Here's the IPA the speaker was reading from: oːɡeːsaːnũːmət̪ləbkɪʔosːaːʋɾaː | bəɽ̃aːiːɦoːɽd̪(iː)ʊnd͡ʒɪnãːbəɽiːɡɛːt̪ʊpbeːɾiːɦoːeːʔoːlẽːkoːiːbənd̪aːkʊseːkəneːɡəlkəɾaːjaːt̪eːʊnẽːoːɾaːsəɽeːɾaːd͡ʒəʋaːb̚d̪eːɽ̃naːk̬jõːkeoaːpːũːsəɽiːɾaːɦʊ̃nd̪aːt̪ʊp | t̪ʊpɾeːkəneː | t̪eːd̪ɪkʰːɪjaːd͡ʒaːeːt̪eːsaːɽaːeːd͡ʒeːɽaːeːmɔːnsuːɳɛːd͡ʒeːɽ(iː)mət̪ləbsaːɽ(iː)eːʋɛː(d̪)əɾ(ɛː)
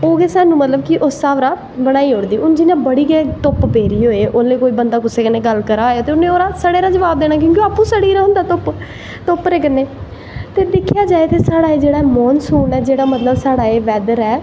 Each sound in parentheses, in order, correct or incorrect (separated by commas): correct, incorrect, incorrect, correct, correct